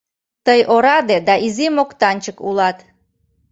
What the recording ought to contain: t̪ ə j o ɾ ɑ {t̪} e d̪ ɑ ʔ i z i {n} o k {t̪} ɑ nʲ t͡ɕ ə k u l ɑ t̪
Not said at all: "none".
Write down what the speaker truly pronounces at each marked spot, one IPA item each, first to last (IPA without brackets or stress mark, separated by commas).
d̪, m, t̪